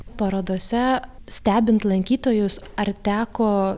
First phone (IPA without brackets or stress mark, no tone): p